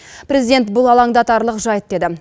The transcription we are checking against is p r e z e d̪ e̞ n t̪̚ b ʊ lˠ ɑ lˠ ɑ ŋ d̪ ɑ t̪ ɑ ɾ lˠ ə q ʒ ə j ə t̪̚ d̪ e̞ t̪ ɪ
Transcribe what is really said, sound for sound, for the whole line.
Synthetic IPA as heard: p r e z i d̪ e̞ n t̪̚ b ʊ lˠ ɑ lˠ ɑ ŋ d̪ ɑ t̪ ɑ ɾ lˠ ə q ʒ ɑ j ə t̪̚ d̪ e̞ d̪ ɪ